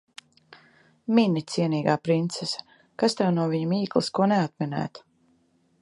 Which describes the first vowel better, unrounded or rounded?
unrounded